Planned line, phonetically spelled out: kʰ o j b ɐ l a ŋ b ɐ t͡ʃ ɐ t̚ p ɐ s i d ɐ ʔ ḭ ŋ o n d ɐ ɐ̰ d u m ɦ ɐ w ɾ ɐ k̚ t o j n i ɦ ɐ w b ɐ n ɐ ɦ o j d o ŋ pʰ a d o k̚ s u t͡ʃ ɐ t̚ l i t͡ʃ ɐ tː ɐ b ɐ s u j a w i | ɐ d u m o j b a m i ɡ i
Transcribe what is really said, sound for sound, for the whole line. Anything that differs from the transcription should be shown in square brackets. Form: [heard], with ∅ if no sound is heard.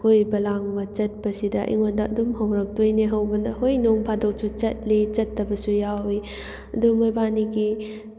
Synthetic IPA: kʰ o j b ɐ l a ŋ b ɐ t͡ʃ ɐ t̚ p ɐ s i d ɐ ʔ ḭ ŋ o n d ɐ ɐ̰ d u m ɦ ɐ w ɾ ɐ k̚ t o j n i ɦ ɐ w b ɐ n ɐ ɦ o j [n] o ŋ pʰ a d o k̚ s u t͡ʃ ɐ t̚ l i t͡ʃ ɐ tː ɐ b ɐ s u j a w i | ɐ d u m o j b a [n] i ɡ i